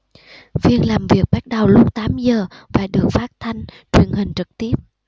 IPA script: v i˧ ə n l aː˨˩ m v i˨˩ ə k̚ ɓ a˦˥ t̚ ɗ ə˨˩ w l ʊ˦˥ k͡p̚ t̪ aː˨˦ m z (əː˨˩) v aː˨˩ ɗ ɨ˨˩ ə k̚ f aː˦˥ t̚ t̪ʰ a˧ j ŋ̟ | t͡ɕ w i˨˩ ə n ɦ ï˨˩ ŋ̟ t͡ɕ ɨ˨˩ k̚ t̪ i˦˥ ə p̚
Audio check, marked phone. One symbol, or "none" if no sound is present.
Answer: əː˨˩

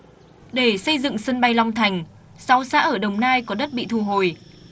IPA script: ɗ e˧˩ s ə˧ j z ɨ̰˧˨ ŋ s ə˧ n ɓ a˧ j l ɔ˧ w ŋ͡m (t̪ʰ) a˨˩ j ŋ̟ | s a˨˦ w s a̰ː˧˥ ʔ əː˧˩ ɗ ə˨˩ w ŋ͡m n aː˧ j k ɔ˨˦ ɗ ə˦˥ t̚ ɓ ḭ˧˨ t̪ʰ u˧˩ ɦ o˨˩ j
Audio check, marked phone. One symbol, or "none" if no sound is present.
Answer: t̪ʰ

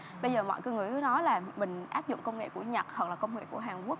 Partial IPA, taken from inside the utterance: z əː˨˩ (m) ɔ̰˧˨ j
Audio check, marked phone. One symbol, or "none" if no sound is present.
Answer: m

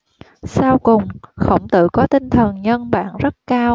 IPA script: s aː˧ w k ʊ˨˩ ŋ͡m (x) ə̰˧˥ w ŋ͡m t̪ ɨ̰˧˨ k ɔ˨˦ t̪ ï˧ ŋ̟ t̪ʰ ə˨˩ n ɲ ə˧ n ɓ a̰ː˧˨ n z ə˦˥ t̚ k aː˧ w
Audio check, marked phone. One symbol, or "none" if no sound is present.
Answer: x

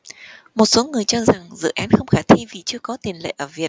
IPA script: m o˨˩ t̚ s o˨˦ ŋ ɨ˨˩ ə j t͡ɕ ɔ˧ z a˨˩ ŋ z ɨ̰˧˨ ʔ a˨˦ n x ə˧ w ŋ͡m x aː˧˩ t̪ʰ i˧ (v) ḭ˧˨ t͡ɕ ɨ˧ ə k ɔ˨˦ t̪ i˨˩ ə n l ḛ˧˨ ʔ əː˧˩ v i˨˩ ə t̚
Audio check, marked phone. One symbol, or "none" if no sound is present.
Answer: v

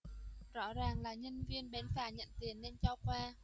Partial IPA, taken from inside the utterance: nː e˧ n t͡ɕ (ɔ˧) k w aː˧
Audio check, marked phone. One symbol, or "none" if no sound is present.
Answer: ɔ˧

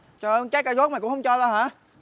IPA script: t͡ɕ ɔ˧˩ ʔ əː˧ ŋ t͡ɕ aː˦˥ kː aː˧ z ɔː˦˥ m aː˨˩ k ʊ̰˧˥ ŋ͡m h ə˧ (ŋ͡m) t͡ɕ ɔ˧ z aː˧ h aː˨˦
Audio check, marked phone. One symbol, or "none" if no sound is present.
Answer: ŋ͡m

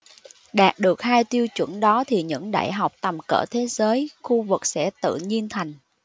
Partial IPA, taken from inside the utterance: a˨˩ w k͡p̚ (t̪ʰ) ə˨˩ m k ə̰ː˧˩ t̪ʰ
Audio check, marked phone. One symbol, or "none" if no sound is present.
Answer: t̪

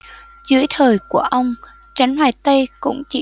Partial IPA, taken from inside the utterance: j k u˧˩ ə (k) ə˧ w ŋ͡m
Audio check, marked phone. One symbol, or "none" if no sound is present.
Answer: ʔ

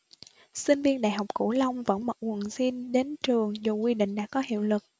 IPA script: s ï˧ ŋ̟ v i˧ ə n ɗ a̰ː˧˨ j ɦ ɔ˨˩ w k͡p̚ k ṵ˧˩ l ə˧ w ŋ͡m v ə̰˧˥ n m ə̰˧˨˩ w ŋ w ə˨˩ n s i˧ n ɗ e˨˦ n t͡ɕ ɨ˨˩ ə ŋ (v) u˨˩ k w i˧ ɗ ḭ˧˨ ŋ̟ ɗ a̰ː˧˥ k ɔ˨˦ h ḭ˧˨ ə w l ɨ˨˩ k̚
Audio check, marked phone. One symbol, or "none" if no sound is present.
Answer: z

